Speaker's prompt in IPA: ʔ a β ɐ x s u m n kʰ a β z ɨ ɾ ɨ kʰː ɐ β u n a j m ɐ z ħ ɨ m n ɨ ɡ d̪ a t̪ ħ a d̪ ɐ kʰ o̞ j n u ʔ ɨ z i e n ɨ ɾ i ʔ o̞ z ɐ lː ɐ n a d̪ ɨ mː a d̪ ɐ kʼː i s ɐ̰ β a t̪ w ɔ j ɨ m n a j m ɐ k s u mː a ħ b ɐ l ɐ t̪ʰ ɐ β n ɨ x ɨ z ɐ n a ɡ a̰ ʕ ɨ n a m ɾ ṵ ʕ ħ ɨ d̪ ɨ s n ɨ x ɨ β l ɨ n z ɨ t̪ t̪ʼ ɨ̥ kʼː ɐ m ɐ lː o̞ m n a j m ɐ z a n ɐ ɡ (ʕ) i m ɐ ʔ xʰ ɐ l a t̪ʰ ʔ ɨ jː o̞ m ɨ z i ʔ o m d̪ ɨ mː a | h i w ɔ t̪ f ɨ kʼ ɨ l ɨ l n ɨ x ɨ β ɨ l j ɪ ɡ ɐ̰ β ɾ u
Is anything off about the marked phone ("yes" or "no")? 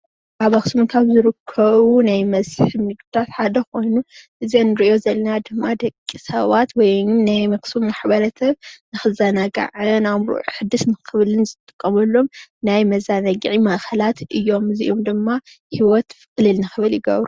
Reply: no